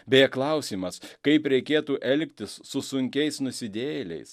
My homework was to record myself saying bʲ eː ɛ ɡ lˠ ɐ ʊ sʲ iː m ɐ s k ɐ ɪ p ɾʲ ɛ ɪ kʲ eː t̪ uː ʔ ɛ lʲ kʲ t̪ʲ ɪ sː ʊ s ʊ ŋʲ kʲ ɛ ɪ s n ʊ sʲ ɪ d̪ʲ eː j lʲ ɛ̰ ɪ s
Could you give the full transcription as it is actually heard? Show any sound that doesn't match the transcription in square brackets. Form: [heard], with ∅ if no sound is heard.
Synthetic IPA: bʲ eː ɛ [k] lˠ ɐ ʊ sʲ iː m ɐ s k ɐ ɪ p ɾʲ ɛ ɪ kʲ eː t̪ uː ʔ ɛ lʲ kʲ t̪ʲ ɪ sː ʊ s ʊ ŋʲ kʲ ɛ ɪ s n ʊ sʲ ɪ d̪ʲ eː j lʲ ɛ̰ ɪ s

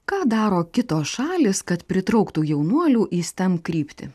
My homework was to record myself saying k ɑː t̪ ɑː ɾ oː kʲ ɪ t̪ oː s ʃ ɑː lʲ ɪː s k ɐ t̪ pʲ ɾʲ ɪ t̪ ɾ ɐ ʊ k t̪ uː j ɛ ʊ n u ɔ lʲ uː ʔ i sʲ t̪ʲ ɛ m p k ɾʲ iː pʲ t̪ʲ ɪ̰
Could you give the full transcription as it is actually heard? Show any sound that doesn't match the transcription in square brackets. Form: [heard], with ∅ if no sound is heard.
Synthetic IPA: k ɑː [d̪] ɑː ɾ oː kʲ ɪ t̪ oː s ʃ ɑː lʲ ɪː s k ɐ t̪ pʲ ɾʲ ɪ t̪ ɾ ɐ ʊ k t̪ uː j ɛ ʊ n u ɔ lʲ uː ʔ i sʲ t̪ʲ ɛ m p k ɾʲ iː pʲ t̪ʲ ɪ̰

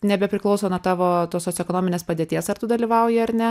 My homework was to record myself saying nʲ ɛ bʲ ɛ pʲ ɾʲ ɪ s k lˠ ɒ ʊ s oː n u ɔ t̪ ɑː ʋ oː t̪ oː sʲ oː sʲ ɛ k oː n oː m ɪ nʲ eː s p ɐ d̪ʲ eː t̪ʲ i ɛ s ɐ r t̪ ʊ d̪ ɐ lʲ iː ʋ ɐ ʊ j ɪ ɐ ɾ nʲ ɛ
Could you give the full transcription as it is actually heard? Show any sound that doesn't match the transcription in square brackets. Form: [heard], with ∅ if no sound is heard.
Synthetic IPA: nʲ ɛ bʲ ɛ pʲ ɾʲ ɪ [∅] k lˠ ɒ ʊ s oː n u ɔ t̪ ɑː ʋ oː t̪ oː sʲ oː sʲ ɛ k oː n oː m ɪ nʲ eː s p ɐ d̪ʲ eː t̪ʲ i ɛ s ɐ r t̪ ʊ d̪ ɐ lʲ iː ʋ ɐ ʊ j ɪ ɐ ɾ nʲ ɛ

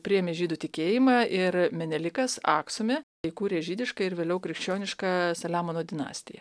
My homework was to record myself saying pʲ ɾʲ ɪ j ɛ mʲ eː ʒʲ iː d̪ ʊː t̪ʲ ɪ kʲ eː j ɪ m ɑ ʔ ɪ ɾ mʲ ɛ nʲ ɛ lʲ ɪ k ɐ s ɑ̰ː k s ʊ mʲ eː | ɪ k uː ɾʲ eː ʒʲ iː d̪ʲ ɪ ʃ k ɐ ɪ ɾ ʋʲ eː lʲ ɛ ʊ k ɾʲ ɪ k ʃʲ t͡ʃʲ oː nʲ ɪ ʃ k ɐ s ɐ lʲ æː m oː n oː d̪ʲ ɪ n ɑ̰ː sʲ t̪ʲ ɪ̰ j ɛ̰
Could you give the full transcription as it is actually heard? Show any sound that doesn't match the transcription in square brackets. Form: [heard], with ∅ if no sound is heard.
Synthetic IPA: pʲ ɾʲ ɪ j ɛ mʲ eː ʒʲ iː d̪ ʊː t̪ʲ ɪ kʲ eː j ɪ m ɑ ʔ ɪ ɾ mʲ ɛ nʲ ɛ lʲ ɪ k ɐ s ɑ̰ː k s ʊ mʲ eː | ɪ k uː ɾʲ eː ʒʲ iː d̪ʲ ɪ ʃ k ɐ ɪ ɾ ʋʲ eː lʲ ɛ ʊ k ɾʲ ɪ k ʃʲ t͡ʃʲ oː nʲ ɪ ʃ k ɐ s ɐ lʲ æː m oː n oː d̪ʲ ɪ n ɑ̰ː sʲ t̪ʲ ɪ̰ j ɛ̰

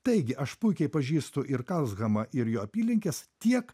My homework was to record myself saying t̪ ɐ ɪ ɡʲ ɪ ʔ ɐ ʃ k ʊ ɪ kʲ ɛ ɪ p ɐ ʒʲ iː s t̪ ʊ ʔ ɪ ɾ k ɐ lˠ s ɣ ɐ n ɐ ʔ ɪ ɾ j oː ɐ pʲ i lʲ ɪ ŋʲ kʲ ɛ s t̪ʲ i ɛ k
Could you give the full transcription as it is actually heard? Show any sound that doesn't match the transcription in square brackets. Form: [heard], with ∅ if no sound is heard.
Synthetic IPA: t̪ ɐ ɪ ɡʲ ɪ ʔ ɐ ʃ [p] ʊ ɪ kʲ ɛ ɪ p ɐ ʒʲ iː s t̪ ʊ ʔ ɪ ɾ k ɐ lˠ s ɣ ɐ [m] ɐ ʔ ɪ ɾ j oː ɐ pʲ [iː] lʲ ɪ ŋʲ kʲ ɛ s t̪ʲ i ɛ k

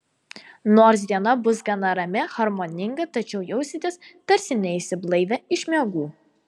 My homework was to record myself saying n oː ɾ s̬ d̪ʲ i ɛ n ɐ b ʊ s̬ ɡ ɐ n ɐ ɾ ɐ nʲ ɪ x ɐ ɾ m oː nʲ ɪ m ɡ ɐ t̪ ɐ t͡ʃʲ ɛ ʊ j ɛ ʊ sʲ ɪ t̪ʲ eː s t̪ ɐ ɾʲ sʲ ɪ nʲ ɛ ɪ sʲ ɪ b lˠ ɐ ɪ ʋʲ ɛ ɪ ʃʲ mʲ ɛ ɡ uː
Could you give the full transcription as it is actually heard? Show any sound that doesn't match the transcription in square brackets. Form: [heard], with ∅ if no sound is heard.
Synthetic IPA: n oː ɾ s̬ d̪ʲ i ɛ n ɐ b ʊ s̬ ɡ ɐ n ɐ ɾ ɐ [mʲ] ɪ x ɐ ɾ m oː nʲ ɪ [ŋ] ɡ ɐ t̪ ɐ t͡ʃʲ ɛ ʊ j ɛ ʊ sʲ ɪ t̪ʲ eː s t̪ ɐ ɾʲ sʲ ɪ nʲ ɛ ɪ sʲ ɪ b lˠ ɐ ɪ ʋʲ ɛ ɪ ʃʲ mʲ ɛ ɡ uː

